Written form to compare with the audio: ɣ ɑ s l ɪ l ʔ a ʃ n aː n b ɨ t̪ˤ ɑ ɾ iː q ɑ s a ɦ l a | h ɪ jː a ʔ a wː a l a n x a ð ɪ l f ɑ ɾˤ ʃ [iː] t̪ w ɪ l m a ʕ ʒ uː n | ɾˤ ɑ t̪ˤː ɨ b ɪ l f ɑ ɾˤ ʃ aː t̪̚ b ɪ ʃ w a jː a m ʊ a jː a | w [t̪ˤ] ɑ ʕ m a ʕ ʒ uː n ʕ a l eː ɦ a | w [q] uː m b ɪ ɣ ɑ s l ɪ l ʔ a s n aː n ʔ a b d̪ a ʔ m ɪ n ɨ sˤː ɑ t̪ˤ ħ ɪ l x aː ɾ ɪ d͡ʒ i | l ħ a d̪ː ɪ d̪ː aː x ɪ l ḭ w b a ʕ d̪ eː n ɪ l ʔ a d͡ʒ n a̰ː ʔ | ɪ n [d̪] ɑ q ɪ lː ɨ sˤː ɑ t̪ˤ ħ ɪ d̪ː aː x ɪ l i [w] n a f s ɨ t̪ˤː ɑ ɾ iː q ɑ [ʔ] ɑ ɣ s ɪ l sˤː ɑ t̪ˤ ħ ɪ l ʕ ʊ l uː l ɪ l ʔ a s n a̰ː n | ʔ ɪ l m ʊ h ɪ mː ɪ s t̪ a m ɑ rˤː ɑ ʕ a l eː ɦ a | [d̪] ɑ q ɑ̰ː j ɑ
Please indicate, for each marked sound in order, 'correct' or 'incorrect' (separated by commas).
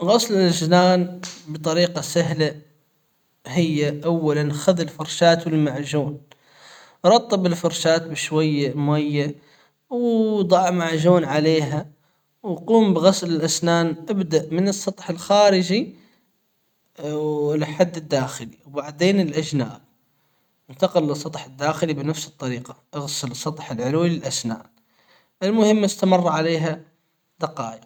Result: incorrect, incorrect, correct, incorrect, incorrect, correct, correct